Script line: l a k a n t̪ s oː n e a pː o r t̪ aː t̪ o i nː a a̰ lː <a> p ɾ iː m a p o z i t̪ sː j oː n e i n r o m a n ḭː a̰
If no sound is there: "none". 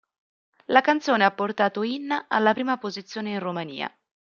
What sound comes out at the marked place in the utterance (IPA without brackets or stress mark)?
a